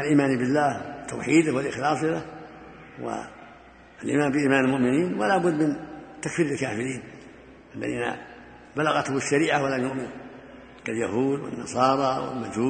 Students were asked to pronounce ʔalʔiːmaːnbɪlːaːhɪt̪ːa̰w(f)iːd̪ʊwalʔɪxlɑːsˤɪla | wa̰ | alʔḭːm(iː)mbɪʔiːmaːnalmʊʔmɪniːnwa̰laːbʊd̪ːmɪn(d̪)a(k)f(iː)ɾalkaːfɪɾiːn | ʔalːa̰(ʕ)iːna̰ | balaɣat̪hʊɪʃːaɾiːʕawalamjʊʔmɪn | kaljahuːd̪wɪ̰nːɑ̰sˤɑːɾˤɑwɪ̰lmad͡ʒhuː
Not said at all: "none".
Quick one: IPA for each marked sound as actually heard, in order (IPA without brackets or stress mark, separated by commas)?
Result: ħ, aː, t̪, k, iː, ð